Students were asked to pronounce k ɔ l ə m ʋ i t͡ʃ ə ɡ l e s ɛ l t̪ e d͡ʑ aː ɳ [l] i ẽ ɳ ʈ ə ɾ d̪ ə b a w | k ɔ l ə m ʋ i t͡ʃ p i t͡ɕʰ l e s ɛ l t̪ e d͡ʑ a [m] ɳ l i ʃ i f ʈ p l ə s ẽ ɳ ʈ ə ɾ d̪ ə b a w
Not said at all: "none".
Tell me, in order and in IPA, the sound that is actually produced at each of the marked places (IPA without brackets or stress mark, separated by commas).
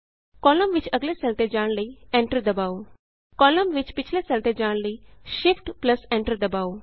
l, none